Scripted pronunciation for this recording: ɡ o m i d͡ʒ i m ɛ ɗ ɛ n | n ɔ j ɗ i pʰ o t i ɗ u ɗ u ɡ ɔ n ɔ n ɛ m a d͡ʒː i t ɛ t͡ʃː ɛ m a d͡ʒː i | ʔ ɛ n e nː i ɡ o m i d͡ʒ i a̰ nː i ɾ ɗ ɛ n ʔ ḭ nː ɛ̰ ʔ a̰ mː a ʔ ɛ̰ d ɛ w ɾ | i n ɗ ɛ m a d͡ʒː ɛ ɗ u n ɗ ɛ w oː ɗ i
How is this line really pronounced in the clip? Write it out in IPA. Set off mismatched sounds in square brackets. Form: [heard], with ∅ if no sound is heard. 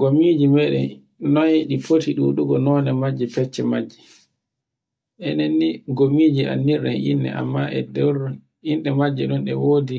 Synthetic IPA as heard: ɡ o m i d͡ʒ i m ɛ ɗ ɛ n | n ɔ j ɗ i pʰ o t i ɗ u ɗ u ɡ ɔ n ɔ n ɛ m a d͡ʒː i [p] ɛ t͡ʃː ɛ m a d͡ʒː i | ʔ ɛ n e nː i ɡ o m i d͡ʒ i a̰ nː i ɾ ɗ ɛ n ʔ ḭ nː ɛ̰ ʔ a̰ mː a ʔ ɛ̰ d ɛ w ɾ | i n ɗ ɛ m a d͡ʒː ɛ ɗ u n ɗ ɛ w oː [d] i